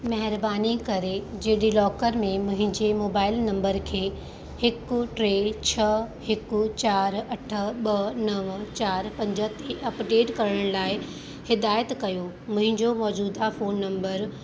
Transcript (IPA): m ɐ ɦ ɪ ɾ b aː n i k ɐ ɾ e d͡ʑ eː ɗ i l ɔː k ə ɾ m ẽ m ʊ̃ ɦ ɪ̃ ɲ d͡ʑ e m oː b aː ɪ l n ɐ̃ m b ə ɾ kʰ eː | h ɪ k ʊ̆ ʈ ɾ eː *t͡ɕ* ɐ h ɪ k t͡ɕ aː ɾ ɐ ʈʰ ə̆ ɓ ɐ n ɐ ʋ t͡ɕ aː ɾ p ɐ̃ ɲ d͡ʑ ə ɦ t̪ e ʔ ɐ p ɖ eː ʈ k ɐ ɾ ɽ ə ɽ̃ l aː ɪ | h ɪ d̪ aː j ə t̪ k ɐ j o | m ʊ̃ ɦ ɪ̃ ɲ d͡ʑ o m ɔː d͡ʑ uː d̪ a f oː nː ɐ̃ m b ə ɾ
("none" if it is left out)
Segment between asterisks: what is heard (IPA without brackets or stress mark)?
t͡ɕʰ